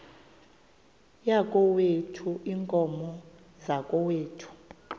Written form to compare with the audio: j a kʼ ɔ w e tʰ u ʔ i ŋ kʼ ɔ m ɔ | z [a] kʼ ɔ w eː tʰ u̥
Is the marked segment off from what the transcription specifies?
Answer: no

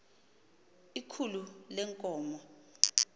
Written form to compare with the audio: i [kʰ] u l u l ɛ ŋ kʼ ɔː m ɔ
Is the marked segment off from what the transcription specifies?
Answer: no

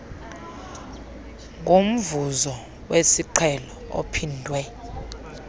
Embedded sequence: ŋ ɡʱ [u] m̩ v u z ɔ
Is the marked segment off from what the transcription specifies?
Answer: yes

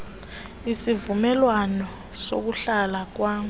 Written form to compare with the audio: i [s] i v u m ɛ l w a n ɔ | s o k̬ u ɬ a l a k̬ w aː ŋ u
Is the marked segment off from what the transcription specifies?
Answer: no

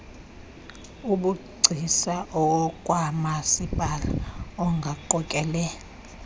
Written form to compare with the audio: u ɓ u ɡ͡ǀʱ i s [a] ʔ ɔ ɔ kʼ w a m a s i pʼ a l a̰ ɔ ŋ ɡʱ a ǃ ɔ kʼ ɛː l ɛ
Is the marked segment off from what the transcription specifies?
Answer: no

